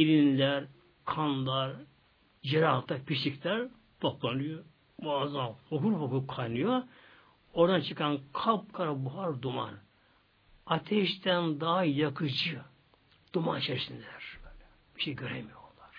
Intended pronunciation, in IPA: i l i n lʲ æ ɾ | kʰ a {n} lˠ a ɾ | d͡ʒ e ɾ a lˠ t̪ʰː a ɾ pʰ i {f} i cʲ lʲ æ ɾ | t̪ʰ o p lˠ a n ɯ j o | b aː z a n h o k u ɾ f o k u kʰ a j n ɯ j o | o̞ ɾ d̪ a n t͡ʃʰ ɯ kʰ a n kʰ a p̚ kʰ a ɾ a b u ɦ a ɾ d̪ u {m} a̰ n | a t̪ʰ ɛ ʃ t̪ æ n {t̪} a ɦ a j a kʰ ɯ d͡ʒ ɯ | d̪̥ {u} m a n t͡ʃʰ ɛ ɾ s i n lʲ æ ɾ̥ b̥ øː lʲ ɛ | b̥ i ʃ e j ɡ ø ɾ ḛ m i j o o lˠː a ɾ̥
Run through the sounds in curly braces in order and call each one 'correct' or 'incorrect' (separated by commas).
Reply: correct, incorrect, correct, incorrect, correct